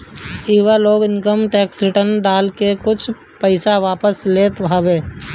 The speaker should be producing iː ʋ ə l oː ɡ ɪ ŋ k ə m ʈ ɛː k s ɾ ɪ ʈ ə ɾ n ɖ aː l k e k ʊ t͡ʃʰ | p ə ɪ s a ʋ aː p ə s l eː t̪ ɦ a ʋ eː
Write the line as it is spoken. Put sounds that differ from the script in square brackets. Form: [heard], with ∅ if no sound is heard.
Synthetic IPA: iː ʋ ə l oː ɡ ɪ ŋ k ə m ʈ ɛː k s ɾ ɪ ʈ ə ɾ n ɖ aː l k e k ʊ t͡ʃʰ | p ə ɪ s a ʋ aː p ə s l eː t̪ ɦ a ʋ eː